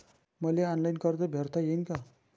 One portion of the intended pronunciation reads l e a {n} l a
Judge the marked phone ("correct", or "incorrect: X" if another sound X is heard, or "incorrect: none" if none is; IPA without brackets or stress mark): correct